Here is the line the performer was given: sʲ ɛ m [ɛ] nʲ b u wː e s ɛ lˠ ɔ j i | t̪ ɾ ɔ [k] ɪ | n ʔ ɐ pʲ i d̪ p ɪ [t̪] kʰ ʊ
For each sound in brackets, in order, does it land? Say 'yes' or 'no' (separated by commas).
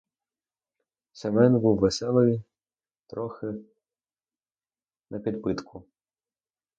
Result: yes, no, yes